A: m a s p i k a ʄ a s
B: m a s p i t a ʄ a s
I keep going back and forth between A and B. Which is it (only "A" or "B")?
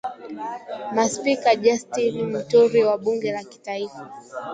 A